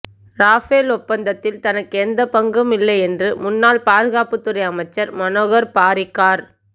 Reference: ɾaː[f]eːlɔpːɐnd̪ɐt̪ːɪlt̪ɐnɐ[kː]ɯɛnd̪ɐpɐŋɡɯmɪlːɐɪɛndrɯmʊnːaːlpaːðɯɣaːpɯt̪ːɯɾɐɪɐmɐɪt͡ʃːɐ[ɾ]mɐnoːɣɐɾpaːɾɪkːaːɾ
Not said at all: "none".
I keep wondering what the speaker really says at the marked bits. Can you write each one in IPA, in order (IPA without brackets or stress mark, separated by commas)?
f, kː, ɾ